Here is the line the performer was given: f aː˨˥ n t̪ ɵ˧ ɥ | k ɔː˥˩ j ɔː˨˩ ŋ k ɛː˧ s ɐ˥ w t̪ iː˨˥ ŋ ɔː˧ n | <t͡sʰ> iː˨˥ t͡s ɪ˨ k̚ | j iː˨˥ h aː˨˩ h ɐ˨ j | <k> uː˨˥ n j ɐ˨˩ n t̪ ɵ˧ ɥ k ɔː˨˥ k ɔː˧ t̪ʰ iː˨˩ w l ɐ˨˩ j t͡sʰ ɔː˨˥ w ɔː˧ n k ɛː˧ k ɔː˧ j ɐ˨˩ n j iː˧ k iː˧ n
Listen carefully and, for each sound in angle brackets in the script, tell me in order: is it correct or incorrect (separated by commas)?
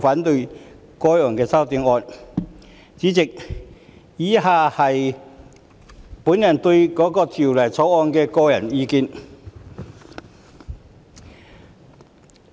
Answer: incorrect, incorrect